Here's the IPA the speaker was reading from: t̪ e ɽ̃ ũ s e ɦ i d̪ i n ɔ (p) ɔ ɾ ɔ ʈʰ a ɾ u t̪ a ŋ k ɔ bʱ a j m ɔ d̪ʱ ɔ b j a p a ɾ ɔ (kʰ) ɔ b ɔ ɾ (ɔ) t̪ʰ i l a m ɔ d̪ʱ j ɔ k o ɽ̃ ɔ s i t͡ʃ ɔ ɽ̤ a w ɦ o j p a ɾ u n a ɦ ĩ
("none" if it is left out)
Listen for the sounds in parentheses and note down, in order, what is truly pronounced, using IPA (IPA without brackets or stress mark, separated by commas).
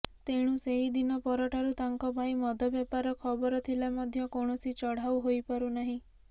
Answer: p, kʰ, ɔ